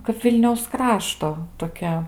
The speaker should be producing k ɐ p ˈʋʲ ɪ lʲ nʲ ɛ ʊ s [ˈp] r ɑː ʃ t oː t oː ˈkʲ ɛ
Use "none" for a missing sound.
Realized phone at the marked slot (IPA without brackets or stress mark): k